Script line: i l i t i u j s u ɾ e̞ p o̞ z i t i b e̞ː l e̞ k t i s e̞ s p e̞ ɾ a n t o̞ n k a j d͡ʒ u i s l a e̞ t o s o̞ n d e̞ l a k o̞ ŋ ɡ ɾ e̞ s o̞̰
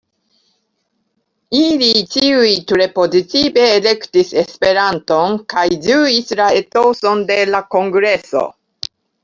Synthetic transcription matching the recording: i l i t i u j t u ɾ e̞ p o̞ z i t i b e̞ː l e̞ k t i s e̞ s p e̞ ɾ a n t o̞ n k a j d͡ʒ u i s l a e̞ t o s o̞ n d e̞ l a k o̞ ŋ ɡ ɾ e̞ s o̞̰